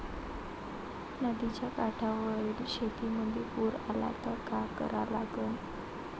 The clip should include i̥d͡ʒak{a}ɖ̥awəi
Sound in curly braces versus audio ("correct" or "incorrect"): correct